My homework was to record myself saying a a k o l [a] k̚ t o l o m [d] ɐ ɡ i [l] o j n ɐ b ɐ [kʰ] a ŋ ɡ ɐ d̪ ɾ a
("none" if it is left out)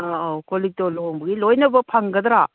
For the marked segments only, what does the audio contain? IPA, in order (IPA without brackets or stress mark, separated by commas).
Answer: i, b, l, pʰ